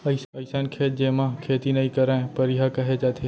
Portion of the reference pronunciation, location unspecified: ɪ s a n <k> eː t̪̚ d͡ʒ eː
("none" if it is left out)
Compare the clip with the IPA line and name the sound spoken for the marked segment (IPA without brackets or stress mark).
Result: kʰ